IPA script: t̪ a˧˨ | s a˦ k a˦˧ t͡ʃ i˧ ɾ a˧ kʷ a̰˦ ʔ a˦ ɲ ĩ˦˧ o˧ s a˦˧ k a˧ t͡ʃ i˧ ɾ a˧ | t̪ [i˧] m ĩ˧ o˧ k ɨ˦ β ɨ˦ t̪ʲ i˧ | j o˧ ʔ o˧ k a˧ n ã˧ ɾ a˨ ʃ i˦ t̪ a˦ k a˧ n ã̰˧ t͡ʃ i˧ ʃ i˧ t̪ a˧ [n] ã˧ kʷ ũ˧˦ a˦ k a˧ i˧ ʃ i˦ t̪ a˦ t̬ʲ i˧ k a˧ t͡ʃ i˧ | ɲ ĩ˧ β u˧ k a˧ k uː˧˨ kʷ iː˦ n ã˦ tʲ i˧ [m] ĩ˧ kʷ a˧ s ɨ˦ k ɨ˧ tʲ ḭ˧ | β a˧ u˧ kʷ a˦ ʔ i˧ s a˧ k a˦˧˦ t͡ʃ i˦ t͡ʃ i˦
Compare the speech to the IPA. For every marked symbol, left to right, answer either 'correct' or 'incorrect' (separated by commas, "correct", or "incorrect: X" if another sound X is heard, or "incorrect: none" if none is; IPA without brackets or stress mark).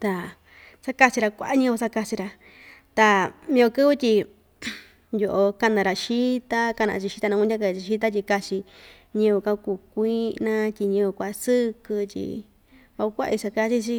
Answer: incorrect: a˧, correct, incorrect: ɲ